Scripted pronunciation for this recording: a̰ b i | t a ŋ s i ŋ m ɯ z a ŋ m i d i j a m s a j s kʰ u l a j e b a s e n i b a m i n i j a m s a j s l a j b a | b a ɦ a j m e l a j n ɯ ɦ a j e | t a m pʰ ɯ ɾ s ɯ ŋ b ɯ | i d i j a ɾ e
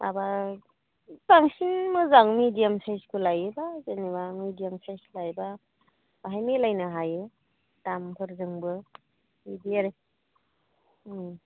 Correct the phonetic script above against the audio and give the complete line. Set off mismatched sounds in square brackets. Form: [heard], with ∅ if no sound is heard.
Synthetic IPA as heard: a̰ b [a] | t a ŋ s i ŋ m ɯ z a ŋ m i d i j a m s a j s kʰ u l a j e b a [z] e n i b a m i [d] i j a m s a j s l a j b a | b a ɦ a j m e l a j n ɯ ɦ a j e | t a m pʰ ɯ ɾ [z] ɯ ŋ b ɯ | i d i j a ɾ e